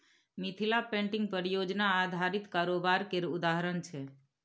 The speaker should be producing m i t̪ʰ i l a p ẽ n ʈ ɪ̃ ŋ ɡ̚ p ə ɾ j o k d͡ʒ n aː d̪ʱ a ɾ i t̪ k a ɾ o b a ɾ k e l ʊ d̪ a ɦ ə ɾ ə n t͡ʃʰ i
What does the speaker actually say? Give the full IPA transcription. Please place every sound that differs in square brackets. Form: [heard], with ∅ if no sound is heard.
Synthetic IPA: m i t̪ʰ i l a p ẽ [ɳ] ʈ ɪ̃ ŋ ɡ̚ p ə ɾ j o [∅] d͡ʒ n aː d̪ʱ a ɾ i t̪ k a ɾ o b a ɾ k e [ɾ] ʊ d̪ a ɦ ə ɾ ə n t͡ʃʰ [e]